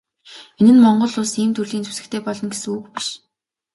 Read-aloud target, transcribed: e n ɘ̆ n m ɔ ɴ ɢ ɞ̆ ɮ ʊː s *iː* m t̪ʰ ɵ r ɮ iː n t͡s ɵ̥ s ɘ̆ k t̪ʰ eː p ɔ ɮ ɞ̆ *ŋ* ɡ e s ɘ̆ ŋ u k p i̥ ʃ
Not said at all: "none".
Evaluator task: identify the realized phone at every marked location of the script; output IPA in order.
iː, n

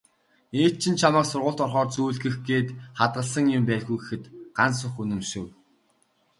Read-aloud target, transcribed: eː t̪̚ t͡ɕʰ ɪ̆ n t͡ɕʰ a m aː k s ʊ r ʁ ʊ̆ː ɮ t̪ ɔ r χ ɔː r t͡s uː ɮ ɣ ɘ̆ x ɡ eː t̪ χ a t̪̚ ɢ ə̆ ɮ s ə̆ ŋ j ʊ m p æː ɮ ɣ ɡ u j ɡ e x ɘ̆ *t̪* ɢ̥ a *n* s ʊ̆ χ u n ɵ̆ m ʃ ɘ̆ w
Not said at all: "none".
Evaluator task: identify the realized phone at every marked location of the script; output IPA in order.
t̪, n

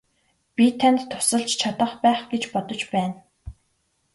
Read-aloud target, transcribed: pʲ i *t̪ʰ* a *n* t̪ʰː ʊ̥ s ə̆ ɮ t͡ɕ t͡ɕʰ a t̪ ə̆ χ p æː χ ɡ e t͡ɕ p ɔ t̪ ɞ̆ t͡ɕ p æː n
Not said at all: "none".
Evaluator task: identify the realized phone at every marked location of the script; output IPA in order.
t̪ʰ, n

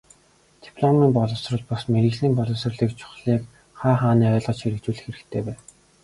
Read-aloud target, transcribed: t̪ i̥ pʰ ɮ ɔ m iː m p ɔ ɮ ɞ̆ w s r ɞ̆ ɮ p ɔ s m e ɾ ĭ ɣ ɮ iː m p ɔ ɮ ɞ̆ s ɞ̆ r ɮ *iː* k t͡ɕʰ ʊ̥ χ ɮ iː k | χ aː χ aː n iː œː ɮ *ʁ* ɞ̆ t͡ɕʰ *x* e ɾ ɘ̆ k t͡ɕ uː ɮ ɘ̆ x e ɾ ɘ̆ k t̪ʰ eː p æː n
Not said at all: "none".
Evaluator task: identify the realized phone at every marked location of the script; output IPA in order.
iː, ʁ, x

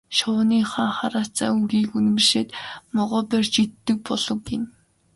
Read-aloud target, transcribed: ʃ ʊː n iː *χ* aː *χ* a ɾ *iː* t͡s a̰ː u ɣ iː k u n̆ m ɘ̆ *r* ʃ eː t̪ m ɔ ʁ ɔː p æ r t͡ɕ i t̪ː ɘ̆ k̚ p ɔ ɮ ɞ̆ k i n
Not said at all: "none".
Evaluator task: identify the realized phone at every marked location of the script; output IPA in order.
χ, χ, aː, r

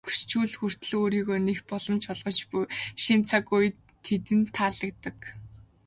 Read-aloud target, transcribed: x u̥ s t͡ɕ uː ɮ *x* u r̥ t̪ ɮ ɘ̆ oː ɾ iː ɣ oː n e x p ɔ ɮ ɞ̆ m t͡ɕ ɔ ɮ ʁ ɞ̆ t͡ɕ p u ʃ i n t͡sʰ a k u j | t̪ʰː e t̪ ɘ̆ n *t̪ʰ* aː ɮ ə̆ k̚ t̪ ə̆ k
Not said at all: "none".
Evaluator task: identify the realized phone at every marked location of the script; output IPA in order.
x, t̪ʰ

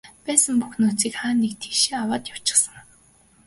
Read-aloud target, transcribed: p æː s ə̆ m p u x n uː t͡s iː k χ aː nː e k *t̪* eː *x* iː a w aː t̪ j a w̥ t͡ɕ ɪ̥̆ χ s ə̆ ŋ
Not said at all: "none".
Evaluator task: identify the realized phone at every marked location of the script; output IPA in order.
t̪ʰ, ʃ

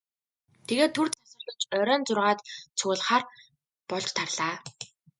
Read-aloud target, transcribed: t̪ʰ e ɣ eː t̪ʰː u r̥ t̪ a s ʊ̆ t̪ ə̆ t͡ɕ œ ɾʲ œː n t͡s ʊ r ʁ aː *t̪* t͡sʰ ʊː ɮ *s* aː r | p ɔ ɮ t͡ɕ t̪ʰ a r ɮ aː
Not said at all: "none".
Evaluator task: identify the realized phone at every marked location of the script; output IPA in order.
t̪, χ

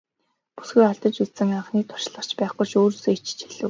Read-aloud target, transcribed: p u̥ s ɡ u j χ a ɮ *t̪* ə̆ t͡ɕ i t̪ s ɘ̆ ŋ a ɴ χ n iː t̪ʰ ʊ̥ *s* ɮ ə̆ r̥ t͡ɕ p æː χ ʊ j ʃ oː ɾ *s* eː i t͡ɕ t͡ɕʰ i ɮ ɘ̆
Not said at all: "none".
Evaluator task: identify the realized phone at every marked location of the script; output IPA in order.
t̪, ʃ, s

